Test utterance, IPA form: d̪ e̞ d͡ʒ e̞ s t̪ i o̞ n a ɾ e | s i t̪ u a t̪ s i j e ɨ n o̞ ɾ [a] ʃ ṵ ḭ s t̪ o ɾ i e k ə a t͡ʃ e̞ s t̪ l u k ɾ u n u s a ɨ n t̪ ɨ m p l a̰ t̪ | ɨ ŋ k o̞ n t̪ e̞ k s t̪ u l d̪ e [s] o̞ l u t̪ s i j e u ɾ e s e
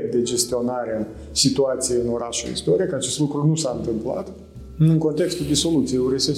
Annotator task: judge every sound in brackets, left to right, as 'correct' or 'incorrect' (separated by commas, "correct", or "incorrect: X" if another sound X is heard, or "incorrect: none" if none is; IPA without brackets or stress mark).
correct, correct